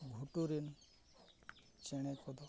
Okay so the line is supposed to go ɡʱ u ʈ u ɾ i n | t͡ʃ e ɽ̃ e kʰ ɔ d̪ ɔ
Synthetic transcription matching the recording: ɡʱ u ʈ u ɾ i n | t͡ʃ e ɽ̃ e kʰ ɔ d̪ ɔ